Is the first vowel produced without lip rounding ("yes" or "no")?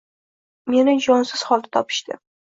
yes